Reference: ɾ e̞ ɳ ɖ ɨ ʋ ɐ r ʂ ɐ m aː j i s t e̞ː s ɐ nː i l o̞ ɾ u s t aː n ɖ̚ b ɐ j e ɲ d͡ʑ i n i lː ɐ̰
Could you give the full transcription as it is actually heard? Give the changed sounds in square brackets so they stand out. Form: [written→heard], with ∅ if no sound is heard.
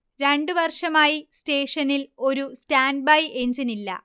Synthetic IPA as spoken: ɾ e̞ ɳ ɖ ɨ ʋ ɐ r ʂ ɐ m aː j i s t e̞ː [s→ʂ] ɐ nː i l o̞ ɾ u s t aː n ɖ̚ b ɐ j e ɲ d͡ʑ i n i lː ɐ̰